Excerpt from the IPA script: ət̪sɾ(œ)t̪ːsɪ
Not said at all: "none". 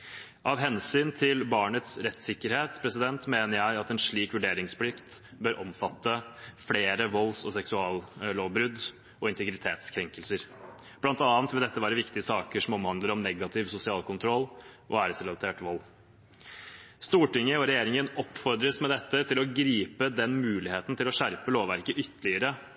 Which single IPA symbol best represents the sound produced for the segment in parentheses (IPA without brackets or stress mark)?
ɛ